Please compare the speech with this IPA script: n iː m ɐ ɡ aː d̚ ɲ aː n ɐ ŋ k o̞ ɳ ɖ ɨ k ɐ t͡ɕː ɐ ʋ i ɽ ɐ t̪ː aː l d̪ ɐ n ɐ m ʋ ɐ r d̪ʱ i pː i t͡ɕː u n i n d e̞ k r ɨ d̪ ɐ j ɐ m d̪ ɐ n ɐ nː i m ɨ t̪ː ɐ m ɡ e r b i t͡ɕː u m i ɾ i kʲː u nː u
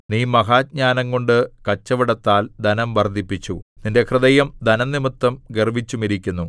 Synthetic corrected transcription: n iː m ɐ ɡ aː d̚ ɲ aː n ɐ ŋ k o̞ ɳ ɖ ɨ k ɐ t͡ɕː ɐ ʋ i ɽ ɐ t̪ː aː l d̪ ɐ n ɐ m ʋ ɐ r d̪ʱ i pː i t͡ɕː u n i n d e̞ k r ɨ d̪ ɐ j ɐ m d̪ ɐ n ɐ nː i m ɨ t̪ː ɐ m ɡ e r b i t͡ɕː u m i ɾ i kʲː u nː u

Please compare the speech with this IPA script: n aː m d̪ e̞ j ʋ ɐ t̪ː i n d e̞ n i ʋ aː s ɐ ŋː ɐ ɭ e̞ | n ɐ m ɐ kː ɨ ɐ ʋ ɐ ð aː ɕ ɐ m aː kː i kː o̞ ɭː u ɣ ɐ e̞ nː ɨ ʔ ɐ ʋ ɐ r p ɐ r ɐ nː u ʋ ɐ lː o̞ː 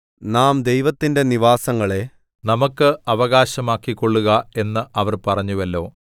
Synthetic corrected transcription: n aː m d̪ e̞ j ʋ ɐ t̪ː i n d e̞ n i ʋ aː s ɐ ŋː ɐ ɭ e̞ | n ɐ m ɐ kː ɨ ɐ ʋ ɐ ɣ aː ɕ ɐ m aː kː i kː o̞ ɭː u ɣ ɐ e̞ nː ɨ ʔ ɐ ʋ ɐ r p ɐ r ɐ ɲː u ʋ ɐ lː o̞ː

